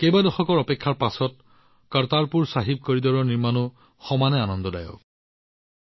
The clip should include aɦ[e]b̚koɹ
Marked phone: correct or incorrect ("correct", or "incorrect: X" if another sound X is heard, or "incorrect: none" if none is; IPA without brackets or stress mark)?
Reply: incorrect: i